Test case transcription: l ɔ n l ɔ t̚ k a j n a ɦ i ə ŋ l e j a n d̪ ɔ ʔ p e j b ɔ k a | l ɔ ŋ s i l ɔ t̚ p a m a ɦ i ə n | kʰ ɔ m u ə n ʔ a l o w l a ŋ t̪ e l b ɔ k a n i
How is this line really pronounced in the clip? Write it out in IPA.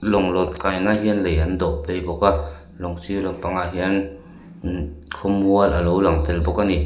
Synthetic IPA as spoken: l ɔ ŋ l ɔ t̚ k a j n a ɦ i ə n l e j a n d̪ ɔ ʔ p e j b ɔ k a | l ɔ ŋ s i l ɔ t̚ p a ŋ a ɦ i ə n | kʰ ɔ m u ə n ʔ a l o w l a ŋ t̪ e l b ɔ k a n i